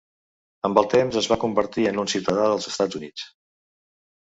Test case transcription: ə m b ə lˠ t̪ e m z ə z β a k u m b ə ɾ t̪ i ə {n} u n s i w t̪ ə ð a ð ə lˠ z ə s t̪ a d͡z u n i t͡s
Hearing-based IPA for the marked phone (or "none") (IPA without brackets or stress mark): n